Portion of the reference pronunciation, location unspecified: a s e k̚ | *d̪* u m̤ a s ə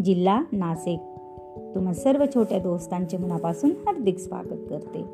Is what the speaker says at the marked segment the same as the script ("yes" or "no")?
no